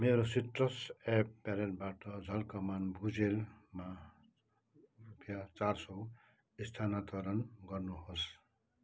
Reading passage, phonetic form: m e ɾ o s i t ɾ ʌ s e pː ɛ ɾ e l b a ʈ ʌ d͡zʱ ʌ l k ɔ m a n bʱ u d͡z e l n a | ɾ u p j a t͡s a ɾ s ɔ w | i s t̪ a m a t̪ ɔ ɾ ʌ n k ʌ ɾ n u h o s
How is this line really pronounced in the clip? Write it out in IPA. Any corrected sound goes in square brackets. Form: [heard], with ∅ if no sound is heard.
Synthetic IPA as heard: m e ɾ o s i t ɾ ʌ s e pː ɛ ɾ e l b a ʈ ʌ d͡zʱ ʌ l k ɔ m a n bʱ u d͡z e l [m] a | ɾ u p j a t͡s a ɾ s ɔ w | i s [t̪ʰ] a [n] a t̪ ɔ ɾ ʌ n [ɡ] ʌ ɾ n u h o s